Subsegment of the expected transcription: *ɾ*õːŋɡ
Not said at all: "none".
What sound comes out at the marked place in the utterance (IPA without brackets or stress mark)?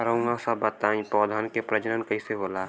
ɾ